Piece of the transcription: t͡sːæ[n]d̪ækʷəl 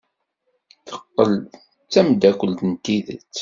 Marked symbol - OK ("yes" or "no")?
no